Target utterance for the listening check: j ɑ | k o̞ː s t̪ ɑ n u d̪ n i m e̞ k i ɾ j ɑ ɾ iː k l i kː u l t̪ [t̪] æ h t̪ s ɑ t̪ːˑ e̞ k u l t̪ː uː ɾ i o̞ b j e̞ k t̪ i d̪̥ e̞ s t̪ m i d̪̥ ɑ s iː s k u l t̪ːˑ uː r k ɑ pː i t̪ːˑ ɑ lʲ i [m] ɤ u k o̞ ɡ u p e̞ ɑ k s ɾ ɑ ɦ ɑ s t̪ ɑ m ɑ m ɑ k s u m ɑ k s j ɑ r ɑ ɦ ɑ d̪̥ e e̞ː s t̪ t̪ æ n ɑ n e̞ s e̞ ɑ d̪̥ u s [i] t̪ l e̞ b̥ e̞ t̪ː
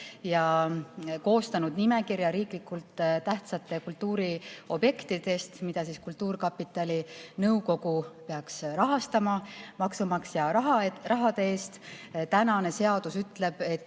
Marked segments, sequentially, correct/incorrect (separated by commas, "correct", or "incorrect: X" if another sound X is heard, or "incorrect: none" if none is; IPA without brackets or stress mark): correct, incorrect: n, incorrect: y